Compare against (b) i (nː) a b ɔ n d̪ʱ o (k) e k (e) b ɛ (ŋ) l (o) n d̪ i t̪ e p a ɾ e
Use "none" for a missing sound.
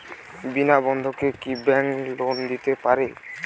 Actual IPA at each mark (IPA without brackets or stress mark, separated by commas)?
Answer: b, n, k, i, ŋ, o